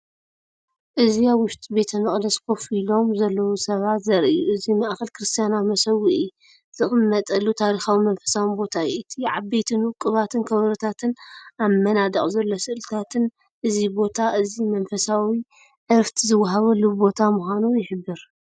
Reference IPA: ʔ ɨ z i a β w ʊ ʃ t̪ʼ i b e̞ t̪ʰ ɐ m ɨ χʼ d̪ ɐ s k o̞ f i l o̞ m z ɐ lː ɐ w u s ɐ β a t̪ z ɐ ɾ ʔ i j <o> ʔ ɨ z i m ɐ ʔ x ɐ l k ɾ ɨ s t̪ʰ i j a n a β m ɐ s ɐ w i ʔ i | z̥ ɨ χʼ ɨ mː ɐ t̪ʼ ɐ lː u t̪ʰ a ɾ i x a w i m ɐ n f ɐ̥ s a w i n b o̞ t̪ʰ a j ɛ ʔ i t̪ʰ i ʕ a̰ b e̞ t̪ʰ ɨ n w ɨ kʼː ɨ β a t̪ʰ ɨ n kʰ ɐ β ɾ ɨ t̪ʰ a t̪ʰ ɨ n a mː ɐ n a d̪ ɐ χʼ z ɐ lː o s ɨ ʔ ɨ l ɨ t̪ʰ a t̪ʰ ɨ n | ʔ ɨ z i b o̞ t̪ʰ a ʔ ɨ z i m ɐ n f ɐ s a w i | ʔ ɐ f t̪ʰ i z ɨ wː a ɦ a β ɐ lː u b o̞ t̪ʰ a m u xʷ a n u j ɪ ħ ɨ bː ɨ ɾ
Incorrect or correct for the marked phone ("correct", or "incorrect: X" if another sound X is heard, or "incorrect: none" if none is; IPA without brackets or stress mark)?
incorrect: u